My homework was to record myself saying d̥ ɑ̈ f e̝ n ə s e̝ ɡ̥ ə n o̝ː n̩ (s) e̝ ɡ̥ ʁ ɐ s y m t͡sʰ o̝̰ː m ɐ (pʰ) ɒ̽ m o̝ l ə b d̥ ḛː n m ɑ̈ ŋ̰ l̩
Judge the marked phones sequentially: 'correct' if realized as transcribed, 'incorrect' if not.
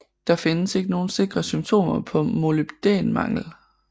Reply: correct, correct

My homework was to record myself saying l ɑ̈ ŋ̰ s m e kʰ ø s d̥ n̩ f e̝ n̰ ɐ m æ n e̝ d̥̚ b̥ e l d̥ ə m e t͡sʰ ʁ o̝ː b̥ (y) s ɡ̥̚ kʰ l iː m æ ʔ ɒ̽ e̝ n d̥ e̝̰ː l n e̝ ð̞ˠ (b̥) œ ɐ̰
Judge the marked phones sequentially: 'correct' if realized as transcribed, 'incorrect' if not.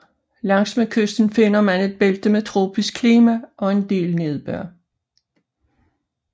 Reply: incorrect, correct

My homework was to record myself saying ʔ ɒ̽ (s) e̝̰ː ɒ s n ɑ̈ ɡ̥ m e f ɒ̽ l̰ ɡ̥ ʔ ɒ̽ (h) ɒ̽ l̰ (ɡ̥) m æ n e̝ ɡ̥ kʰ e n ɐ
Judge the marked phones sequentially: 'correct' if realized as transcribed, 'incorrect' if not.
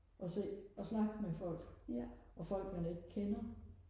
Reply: correct, incorrect, correct

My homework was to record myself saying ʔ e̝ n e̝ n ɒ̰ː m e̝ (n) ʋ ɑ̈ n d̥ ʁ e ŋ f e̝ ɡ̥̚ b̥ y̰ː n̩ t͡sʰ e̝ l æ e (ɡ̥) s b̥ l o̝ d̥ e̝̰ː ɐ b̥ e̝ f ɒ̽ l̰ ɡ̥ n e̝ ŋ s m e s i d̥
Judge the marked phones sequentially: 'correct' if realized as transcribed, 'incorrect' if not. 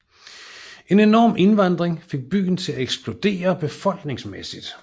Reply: correct, correct

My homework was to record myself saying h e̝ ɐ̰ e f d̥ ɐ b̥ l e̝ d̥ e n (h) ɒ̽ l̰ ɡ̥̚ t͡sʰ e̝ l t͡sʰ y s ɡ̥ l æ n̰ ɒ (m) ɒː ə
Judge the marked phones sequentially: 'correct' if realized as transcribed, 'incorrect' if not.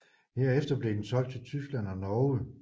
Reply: incorrect, incorrect

